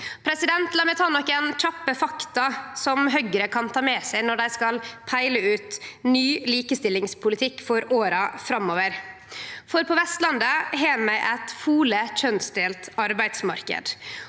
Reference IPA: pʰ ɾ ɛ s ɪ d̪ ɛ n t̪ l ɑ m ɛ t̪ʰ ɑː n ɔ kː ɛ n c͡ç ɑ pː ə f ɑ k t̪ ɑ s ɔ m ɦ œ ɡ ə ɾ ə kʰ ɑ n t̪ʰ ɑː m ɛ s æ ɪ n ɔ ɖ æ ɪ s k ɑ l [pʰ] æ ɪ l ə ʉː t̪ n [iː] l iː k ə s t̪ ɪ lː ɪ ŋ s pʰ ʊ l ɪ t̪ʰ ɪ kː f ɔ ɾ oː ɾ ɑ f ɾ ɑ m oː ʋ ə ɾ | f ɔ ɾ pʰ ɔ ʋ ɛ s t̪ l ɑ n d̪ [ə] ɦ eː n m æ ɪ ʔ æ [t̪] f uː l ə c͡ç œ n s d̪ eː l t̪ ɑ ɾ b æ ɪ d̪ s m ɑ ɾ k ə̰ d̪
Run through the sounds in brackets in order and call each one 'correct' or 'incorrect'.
correct, incorrect, correct, correct

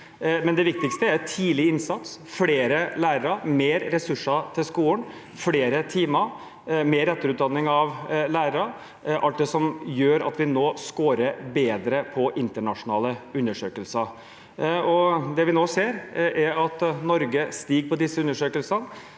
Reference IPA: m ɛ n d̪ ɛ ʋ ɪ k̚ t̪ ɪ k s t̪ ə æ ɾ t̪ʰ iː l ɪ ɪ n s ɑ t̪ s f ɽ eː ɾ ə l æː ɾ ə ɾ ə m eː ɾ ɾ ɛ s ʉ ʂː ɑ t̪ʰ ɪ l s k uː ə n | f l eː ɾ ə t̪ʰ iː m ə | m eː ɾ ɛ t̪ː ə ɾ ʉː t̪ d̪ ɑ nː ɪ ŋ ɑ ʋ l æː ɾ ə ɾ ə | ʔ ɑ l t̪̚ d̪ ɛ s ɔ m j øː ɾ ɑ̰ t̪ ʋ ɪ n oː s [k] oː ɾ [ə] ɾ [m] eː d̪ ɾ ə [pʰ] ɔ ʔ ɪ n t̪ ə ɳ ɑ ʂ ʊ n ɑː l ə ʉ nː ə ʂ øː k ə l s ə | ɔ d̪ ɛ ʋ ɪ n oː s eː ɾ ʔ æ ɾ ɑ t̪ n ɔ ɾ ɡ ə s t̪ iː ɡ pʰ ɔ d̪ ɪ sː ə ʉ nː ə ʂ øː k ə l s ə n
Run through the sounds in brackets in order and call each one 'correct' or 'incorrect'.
correct, correct, incorrect, correct

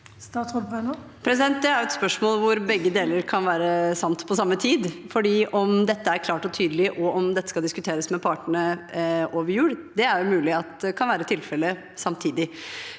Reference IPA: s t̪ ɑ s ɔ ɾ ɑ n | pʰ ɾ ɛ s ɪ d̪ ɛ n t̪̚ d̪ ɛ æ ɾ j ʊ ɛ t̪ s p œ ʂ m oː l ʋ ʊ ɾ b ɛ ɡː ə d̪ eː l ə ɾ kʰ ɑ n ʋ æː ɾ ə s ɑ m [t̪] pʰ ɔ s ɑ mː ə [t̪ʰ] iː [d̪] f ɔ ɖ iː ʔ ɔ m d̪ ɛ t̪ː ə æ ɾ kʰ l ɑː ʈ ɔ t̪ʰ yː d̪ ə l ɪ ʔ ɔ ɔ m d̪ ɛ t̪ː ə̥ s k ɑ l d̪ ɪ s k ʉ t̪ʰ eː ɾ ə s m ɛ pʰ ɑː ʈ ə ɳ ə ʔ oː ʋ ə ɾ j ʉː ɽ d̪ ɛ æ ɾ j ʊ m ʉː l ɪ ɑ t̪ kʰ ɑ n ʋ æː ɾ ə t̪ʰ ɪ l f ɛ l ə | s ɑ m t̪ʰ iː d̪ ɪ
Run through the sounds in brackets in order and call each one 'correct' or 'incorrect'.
correct, correct, correct

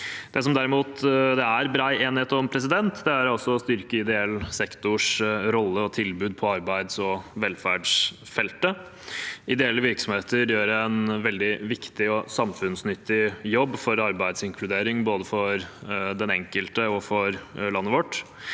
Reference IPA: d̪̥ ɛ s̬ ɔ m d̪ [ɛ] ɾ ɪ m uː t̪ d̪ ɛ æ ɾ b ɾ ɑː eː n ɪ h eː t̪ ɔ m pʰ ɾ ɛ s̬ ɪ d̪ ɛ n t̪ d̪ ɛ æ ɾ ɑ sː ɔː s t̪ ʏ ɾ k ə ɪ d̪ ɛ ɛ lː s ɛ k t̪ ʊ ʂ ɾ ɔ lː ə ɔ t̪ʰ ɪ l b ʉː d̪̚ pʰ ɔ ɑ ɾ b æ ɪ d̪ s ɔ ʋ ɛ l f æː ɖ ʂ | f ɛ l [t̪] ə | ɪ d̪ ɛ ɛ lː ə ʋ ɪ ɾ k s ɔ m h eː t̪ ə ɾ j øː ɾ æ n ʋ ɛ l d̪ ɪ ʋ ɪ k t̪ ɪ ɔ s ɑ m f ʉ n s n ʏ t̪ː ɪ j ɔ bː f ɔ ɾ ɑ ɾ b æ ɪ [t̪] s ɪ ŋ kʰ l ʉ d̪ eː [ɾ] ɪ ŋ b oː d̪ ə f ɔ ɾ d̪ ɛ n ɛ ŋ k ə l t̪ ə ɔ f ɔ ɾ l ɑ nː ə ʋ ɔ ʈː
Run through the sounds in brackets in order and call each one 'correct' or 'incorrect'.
incorrect, correct, incorrect, correct

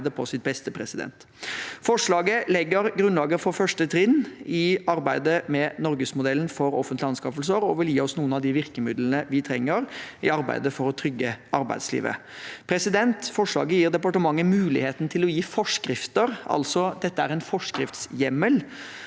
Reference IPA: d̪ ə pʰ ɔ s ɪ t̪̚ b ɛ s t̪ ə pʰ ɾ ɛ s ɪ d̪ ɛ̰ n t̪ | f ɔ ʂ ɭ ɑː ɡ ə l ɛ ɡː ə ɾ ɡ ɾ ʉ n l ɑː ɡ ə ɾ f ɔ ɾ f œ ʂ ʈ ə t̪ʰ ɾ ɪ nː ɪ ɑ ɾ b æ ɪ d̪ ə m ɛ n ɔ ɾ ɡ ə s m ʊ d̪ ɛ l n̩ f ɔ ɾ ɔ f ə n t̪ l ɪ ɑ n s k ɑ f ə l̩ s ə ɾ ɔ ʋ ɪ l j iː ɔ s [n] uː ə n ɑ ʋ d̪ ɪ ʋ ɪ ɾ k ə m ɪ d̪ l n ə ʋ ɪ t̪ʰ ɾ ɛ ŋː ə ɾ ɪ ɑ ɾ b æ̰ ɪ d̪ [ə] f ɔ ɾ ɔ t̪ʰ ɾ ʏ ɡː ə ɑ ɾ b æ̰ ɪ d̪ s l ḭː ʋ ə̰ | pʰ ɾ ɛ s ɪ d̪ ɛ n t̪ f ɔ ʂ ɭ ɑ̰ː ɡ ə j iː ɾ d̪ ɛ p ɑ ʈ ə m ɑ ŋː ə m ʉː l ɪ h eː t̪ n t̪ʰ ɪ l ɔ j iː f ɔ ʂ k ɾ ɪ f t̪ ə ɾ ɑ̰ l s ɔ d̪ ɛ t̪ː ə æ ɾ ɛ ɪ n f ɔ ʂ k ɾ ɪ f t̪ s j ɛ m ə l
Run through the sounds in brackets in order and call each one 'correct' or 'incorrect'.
correct, correct

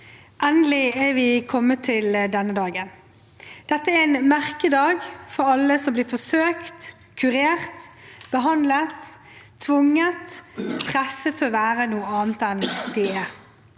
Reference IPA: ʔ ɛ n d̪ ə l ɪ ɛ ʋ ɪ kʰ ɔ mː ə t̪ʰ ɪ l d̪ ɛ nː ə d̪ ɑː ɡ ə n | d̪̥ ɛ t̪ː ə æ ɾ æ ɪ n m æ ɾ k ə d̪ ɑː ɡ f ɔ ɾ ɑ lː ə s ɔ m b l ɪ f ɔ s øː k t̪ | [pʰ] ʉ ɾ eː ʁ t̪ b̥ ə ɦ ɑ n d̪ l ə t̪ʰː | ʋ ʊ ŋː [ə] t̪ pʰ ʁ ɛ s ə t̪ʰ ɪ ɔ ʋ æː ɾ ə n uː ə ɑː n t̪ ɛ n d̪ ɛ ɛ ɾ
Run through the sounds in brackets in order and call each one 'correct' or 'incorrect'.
incorrect, correct

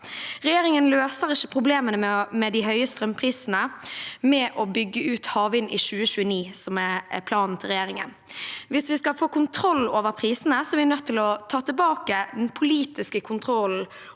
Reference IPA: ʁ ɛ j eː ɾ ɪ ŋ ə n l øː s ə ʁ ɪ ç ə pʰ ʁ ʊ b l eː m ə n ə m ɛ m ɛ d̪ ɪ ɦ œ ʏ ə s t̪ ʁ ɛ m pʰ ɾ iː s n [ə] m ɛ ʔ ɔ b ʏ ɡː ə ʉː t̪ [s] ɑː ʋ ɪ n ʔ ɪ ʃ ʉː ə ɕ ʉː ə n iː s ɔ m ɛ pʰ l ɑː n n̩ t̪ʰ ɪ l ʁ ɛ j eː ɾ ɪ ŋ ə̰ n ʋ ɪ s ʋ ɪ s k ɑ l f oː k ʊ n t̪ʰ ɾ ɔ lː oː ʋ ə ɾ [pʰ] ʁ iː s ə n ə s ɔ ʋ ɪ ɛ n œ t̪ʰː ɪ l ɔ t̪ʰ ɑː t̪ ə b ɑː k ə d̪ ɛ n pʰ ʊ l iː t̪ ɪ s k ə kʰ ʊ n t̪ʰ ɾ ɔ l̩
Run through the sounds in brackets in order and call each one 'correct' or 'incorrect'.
correct, incorrect, correct

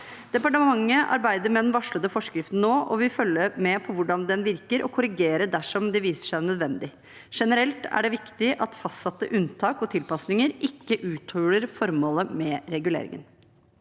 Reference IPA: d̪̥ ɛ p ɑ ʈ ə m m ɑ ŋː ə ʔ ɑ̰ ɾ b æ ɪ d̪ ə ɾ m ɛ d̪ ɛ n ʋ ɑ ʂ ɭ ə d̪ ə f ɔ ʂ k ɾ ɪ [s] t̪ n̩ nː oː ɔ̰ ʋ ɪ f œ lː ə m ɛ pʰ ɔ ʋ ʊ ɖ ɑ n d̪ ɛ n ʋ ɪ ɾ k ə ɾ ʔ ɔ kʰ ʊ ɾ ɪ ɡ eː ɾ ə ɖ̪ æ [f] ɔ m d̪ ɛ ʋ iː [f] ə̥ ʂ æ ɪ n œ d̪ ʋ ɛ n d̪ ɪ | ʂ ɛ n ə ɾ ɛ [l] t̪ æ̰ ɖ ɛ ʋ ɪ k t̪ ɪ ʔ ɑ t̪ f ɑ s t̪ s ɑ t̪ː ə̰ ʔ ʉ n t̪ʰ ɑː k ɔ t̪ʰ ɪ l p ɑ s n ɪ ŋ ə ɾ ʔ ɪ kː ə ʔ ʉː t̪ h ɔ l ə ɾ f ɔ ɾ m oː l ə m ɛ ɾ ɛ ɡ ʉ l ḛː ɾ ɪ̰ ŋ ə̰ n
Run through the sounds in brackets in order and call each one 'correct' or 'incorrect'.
incorrect, incorrect, incorrect, correct

